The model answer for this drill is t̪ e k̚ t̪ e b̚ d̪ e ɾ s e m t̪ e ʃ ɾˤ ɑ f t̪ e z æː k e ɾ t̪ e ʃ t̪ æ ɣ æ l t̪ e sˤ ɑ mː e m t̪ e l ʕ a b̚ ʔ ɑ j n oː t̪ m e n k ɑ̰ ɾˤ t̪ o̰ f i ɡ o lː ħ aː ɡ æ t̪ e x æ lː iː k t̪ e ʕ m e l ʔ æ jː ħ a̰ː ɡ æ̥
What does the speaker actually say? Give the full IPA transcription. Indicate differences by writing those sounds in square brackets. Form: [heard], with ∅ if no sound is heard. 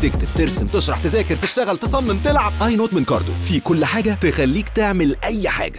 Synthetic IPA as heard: t̪ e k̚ t̪ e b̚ [t̪] e ɾ s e m t̪ e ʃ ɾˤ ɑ [ħ] t̪ e z æː k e ɾ t̪ e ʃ t̪ æ ɣ æ l t̪ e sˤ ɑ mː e m t̪ e l ʕ a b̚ ʔ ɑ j n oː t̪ m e n k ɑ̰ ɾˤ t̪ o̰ f i [k] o lː ħ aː ɡ æ t̪ e x æ lː iː k t̪ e ʕ m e l ʔ æ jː ħ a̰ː ɡ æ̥